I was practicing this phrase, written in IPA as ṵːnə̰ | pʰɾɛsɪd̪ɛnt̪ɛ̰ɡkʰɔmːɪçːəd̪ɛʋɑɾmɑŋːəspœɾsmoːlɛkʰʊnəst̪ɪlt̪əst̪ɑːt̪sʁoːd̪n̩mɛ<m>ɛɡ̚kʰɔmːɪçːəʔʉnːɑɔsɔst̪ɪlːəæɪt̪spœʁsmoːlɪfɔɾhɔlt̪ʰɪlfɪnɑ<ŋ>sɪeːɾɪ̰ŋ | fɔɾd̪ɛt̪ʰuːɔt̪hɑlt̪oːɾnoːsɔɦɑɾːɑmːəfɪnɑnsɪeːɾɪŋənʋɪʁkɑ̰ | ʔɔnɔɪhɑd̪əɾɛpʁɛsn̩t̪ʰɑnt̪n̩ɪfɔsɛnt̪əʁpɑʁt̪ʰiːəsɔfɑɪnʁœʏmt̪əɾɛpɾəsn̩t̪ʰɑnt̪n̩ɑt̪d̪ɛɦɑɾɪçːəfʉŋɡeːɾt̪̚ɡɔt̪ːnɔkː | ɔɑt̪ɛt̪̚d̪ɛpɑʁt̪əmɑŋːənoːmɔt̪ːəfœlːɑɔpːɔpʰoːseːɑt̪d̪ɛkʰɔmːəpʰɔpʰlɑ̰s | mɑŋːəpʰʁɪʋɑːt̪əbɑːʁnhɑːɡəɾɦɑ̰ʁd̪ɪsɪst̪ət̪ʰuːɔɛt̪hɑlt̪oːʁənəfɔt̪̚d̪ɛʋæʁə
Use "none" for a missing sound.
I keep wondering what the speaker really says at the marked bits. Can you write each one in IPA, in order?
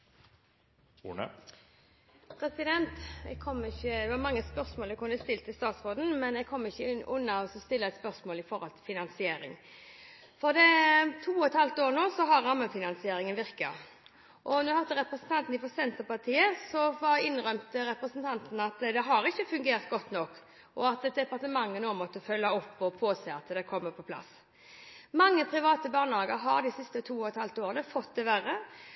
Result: n, n

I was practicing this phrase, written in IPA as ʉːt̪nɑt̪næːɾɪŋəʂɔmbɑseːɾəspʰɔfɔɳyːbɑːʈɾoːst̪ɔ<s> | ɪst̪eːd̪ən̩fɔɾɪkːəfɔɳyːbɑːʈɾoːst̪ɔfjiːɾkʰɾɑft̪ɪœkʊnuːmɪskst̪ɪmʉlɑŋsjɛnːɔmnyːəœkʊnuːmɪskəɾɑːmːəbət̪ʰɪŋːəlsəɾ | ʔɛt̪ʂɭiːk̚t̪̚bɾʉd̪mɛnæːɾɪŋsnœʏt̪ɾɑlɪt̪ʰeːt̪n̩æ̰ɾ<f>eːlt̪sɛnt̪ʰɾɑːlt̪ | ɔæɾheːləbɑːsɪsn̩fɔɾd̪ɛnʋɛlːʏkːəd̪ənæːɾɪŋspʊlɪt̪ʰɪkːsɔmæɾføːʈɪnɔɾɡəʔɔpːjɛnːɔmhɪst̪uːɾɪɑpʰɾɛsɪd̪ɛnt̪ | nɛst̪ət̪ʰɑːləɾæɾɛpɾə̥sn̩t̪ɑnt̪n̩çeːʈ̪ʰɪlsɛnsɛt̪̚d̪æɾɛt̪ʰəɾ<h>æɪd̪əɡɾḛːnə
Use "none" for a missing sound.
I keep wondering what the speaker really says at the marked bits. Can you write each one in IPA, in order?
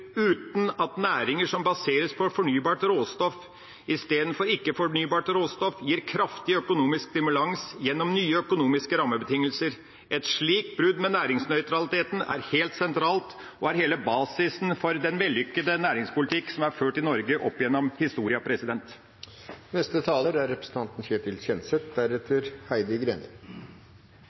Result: f, h, h

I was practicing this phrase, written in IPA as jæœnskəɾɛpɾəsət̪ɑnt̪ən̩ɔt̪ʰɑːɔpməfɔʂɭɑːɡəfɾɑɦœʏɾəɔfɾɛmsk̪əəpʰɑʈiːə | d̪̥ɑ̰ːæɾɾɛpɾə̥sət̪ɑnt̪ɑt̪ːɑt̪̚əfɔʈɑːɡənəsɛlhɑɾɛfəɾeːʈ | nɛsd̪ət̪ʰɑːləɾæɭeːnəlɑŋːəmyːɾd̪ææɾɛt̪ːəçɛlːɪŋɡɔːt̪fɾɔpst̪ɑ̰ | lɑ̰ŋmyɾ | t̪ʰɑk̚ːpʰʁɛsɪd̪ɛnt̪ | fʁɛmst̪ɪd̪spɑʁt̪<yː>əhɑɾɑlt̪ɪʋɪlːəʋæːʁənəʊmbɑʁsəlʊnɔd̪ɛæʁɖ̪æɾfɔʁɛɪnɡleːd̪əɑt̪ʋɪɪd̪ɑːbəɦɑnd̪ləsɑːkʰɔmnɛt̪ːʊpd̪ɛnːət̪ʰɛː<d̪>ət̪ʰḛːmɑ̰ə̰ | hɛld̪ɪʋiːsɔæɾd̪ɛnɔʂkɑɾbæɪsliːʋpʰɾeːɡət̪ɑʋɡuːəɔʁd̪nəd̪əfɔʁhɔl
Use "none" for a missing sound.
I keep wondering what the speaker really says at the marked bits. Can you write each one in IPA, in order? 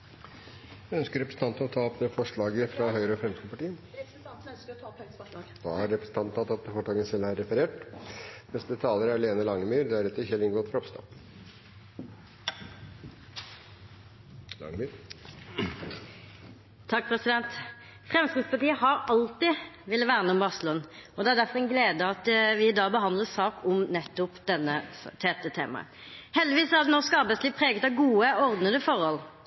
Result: iː, t̪

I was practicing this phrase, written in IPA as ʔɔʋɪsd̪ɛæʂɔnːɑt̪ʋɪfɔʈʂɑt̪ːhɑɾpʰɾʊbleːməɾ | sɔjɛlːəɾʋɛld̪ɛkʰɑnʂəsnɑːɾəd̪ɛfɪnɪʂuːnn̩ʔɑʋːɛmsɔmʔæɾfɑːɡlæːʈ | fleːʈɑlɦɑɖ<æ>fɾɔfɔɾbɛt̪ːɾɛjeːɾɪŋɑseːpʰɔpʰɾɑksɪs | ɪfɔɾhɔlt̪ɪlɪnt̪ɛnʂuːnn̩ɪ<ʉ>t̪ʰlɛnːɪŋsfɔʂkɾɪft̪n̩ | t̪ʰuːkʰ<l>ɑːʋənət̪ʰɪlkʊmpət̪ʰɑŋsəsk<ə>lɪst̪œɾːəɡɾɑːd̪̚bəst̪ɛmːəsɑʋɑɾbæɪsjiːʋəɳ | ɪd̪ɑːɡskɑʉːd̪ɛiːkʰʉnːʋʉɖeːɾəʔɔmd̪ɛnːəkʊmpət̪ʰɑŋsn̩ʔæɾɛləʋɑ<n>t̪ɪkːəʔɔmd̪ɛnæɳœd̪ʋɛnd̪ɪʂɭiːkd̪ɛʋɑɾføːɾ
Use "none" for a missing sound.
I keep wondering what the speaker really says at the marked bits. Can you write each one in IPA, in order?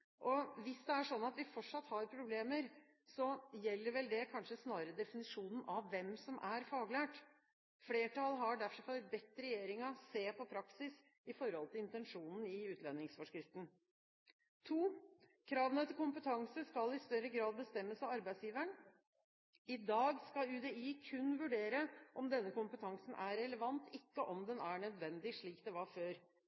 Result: æ, ʉː, ɾ, ɑ, n

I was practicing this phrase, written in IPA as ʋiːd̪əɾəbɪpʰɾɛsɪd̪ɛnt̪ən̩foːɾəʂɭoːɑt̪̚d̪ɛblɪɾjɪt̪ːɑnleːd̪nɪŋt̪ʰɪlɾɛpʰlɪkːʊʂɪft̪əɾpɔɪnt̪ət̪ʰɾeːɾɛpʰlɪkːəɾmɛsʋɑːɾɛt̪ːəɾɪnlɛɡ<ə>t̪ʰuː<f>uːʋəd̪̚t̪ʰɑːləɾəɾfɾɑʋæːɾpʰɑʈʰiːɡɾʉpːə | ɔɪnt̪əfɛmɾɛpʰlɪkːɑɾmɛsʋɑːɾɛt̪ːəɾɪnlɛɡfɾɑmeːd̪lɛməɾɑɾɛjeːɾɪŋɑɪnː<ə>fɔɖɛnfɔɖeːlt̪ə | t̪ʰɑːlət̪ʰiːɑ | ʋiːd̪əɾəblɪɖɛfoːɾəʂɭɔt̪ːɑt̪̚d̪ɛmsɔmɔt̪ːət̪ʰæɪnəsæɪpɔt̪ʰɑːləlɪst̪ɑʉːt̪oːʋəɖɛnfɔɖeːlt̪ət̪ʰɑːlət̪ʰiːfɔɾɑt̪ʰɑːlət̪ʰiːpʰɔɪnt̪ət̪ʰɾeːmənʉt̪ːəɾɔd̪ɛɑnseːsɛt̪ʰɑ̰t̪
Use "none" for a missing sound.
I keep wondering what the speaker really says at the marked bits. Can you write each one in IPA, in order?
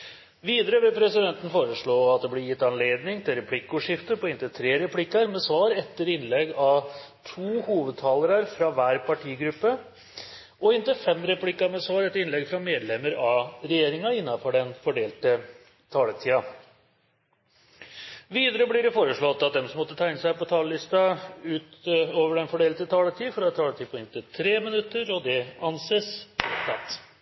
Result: ɑ, h, ɑ

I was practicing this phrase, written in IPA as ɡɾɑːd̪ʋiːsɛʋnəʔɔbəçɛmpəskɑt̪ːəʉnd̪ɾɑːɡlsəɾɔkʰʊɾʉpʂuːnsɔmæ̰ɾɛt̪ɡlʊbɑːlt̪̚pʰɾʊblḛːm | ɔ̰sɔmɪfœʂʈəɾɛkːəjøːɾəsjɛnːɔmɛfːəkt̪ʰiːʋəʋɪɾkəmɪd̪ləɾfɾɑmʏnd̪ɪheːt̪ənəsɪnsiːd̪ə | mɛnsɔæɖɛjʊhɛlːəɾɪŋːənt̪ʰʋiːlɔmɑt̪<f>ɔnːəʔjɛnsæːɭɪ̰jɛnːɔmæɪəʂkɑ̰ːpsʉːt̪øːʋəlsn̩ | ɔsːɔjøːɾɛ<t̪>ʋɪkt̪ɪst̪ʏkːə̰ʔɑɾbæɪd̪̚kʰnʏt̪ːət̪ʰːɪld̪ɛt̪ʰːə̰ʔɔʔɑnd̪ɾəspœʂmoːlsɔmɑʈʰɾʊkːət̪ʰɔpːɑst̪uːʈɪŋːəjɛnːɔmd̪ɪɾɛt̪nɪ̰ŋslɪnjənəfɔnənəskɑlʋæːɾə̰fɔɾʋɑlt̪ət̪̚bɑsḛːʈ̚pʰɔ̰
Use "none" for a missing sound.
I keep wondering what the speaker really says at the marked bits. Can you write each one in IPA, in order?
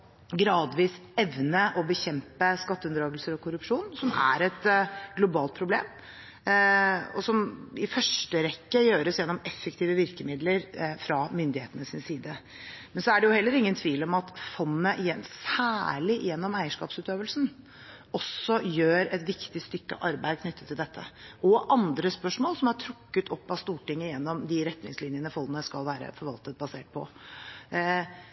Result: f, t̪

